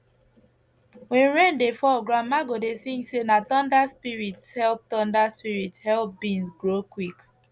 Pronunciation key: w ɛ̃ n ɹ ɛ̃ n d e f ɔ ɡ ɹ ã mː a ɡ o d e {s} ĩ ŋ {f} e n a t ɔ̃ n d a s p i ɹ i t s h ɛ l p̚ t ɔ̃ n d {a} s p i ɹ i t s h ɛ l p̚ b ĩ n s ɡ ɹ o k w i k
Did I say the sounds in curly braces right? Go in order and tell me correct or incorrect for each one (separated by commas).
correct, incorrect, correct